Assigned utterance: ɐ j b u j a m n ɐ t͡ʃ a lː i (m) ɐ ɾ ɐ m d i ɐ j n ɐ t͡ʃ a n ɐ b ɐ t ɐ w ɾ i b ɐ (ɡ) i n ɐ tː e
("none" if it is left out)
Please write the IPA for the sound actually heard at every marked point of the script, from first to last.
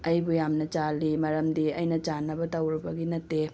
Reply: m, ɡ

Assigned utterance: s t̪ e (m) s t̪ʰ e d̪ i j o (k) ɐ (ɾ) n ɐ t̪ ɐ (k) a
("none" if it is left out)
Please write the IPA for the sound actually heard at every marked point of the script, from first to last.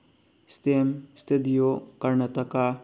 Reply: m, k, ɾ, k

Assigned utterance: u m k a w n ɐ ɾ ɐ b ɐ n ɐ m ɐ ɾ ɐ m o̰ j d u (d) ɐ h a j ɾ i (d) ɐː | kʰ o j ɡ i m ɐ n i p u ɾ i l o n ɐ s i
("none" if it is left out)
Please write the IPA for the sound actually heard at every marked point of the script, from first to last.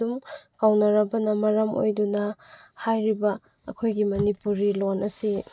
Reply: n, b

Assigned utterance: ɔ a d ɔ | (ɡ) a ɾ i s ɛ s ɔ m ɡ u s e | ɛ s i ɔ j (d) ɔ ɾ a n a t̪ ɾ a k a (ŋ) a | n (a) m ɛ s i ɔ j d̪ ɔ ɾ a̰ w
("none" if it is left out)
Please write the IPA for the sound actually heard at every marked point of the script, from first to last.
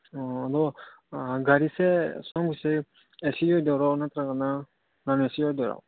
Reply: ɡ, d, n, a

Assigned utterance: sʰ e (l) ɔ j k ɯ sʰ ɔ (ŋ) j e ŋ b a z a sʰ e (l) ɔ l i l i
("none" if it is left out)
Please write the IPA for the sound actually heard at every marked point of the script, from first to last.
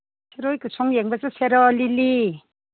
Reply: ɾ, ŋ, ɾ

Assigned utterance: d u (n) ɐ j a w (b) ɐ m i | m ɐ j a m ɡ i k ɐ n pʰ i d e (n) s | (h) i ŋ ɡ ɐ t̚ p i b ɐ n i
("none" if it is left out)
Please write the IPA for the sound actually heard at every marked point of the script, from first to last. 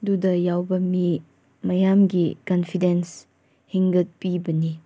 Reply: d, b, n, h

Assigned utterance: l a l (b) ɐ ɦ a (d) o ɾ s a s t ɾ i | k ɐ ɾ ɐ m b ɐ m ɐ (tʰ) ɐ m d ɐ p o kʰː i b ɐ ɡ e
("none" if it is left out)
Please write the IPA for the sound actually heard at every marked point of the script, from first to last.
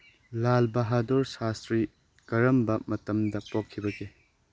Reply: b, d, t

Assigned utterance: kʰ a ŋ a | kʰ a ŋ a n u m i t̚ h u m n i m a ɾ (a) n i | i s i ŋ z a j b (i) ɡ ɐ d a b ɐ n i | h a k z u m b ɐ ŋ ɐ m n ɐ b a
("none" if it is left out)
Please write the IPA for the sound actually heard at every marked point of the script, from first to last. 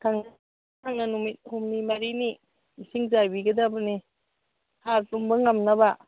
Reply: i, i

